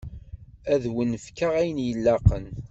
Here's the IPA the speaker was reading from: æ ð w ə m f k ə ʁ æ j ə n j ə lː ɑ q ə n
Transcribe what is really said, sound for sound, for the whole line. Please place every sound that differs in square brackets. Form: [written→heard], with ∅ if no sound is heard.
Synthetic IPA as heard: æ ð w ə [m→n] f k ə ʁ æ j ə n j ə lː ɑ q ə n